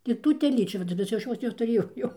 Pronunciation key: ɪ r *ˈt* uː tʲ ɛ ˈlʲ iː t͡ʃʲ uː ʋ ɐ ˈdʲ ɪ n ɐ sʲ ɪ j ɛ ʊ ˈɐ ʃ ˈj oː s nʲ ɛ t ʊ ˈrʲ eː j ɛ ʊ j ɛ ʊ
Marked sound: correct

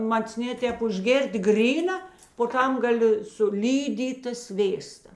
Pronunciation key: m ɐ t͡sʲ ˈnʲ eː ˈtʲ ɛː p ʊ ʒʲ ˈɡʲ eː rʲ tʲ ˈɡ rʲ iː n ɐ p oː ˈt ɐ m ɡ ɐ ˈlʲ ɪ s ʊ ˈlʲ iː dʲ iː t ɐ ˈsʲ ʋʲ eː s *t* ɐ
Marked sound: correct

